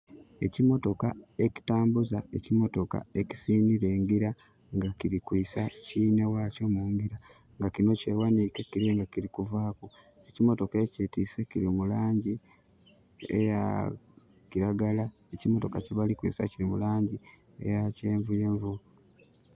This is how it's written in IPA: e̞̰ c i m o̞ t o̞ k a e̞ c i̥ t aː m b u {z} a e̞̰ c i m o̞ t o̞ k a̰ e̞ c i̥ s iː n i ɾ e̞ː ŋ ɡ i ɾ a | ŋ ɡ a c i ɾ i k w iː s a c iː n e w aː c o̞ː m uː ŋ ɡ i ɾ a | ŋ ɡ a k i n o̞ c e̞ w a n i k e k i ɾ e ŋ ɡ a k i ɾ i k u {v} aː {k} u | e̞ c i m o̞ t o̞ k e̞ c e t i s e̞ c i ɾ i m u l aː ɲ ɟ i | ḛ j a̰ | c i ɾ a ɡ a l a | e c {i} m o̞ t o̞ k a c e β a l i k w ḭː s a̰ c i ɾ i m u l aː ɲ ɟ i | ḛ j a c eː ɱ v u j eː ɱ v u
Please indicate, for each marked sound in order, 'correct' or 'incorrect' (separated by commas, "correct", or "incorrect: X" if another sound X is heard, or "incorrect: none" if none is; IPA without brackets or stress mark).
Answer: correct, correct, correct, correct